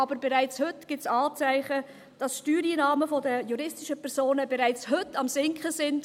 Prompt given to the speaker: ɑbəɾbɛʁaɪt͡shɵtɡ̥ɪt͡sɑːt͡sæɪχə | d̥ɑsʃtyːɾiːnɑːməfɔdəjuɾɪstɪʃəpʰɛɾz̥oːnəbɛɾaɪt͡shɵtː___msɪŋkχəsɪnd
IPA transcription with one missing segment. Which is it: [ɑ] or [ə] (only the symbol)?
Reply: ɑ